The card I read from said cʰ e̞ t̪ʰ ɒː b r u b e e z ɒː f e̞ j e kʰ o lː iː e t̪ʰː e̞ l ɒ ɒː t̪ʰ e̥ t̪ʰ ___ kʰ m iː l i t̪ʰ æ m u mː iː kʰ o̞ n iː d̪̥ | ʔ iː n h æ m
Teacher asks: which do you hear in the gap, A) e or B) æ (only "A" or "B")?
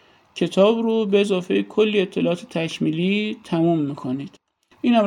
B